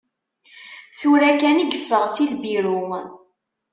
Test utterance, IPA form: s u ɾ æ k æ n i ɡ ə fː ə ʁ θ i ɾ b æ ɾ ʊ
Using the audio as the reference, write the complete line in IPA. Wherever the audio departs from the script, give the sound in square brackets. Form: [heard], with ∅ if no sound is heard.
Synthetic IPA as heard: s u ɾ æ k æ n i ɡ ə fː ə ʁ [s] i [l] b [i] ɾ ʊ